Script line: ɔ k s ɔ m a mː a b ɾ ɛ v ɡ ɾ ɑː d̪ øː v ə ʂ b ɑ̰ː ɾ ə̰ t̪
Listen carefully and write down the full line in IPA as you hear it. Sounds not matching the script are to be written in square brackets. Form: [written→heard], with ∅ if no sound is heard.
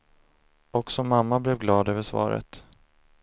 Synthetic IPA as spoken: ɔ k s ɔ m a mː a b [ɾ→l] ɛ v ɡ [ɾ→l] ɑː d̪ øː v ə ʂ [b→v] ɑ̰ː ɾ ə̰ t̪